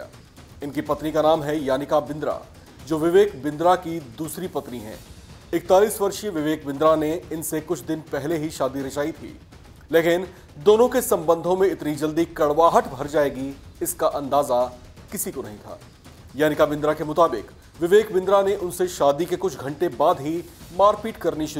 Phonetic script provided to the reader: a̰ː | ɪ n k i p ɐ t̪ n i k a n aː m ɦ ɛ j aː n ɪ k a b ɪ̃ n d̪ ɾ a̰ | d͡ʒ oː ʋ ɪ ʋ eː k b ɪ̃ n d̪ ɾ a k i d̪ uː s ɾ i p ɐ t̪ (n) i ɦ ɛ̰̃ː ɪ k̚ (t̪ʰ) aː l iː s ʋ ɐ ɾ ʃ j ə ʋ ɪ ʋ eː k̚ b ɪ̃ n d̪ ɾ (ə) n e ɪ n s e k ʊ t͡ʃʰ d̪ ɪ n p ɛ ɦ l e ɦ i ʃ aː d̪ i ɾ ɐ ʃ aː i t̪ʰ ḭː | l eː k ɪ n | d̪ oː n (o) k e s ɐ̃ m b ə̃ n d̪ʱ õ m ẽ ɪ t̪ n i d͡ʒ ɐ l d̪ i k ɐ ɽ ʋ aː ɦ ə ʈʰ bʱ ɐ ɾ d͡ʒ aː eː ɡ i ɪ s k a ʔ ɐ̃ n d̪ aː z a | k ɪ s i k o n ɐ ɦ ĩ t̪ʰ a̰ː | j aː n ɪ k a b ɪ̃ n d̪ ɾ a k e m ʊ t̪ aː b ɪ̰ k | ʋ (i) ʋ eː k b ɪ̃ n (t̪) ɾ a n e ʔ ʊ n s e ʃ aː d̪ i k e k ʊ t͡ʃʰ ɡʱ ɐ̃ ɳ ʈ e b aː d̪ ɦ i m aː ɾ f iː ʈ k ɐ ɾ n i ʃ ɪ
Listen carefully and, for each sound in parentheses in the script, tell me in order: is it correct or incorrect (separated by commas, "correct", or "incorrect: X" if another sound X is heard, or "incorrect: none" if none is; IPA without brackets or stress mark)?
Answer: correct, incorrect: t̪, incorrect: a, incorrect: õ, incorrect: ɪ, incorrect: d̪